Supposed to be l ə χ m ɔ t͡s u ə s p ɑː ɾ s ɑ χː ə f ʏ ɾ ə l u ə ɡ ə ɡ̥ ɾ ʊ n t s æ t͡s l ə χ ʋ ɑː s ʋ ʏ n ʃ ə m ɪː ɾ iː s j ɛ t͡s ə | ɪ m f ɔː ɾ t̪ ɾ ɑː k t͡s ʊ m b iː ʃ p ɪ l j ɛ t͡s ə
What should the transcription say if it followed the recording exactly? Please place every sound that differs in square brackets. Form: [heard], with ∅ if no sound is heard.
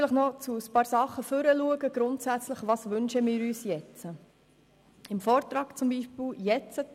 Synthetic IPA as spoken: l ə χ [n] ɔ t͡s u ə s p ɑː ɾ s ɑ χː ə f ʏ ɾ ə l u ə ɡ ə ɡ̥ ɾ ʊ n t s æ t͡s l ə χ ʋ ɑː s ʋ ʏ n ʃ ə m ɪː ɾ [yː] s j ɛ t͡s ə | ɪ m f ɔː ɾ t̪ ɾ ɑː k t͡s ʊ m b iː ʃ p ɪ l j ɛ t͡s ə